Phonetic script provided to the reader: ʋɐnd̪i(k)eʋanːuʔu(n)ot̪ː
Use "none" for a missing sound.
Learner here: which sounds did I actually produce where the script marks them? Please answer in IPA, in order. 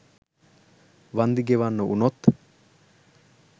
ɡ, n

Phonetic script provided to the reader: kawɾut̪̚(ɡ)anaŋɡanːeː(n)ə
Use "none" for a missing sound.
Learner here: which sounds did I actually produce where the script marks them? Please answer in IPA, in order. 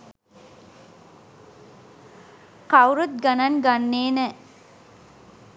ɡ, n

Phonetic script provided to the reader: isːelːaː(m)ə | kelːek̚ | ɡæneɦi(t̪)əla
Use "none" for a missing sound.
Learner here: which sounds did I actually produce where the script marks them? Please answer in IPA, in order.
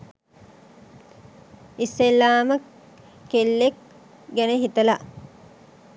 m, t̪

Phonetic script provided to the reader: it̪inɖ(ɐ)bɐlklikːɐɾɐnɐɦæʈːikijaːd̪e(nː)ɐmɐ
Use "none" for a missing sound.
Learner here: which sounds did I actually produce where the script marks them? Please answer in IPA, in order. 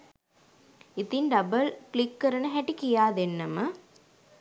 ɐ, nː

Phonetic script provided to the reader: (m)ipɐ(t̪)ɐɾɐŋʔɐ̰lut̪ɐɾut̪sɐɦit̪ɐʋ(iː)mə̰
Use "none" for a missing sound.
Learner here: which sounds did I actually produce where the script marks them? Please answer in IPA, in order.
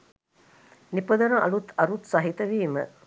n, d̪, iː

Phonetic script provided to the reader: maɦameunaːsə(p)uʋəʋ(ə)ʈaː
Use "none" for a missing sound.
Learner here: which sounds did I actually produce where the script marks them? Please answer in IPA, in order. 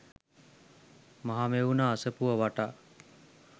p, a

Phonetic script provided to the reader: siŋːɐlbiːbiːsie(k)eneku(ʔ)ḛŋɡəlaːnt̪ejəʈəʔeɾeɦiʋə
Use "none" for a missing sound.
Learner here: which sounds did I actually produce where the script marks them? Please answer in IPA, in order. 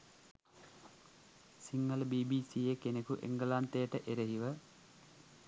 k, ʔ

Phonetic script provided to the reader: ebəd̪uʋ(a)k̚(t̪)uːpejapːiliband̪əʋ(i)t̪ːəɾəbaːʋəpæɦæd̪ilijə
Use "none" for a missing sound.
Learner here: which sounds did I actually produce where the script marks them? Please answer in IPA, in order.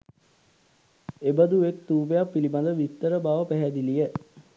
e, t̪, i

